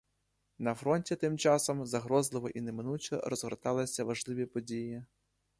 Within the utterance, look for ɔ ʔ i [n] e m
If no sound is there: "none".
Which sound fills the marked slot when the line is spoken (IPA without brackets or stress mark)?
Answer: n